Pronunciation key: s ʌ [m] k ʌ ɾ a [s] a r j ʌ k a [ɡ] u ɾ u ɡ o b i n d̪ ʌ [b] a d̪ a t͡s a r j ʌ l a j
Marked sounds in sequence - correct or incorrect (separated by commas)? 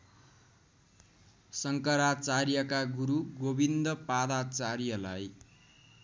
incorrect, incorrect, correct, incorrect